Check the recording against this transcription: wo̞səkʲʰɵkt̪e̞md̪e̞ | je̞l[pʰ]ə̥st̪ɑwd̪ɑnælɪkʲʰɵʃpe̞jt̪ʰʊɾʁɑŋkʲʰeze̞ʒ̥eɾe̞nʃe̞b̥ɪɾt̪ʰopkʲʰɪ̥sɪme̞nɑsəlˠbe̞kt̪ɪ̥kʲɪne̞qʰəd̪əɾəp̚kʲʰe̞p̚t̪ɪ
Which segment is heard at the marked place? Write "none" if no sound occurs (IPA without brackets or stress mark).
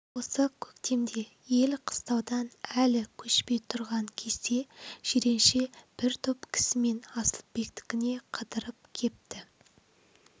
qʰ